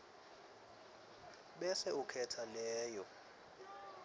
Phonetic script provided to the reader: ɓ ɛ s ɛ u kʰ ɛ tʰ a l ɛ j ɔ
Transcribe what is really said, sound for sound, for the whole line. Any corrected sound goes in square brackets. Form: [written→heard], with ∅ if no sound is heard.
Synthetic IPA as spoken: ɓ ɛ s ɛ u kʰ ɛ tʰ a l [ɛ→ɛː] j ɔ